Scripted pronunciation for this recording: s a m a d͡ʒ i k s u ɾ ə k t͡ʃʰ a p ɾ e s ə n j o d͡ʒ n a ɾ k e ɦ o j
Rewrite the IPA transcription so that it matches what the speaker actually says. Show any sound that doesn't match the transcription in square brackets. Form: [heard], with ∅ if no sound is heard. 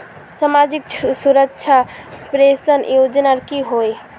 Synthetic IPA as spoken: s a m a d͡ʒ i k s u ɾ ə k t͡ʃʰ a p ɾ e s ə n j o d͡ʒ n a ɾ k [i] ɦ o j